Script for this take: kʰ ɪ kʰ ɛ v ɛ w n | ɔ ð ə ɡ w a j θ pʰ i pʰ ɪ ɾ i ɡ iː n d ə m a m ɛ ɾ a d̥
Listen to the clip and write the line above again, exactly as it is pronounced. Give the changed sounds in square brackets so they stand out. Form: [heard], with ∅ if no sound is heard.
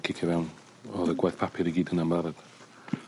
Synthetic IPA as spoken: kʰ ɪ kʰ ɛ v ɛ w n | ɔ ð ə ɡ w a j θ pʰ [a] pʰ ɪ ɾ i ɡ iː [∅] d ə [n] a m [a] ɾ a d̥